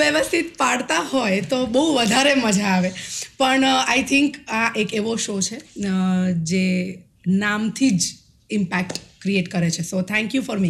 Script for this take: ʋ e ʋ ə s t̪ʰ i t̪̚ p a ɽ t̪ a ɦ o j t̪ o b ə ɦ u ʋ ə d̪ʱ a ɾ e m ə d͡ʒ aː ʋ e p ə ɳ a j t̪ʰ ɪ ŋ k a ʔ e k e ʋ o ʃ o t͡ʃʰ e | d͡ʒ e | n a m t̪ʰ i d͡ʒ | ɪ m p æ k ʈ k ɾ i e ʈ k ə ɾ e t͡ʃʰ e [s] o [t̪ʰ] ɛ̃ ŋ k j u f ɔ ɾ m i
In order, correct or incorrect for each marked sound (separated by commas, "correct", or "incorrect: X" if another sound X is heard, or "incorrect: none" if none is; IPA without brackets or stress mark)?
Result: correct, correct